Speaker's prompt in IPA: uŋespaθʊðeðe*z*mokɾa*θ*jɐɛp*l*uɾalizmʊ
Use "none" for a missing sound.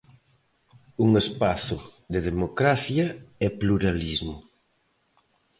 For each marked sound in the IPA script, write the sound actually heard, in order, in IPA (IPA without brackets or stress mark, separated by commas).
none, θ, l